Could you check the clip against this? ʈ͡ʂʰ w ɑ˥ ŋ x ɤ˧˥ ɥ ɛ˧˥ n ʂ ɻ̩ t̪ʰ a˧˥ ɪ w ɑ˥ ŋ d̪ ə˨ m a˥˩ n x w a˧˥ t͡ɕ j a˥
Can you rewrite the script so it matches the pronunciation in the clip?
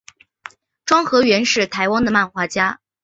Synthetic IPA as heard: ʈ͡ʂ w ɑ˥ ŋ x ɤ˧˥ ɥ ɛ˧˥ n ʂ ɻ̩ t̪ʰ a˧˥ ɪ w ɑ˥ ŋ d̪ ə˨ m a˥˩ n x w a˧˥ t͡ɕ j a˥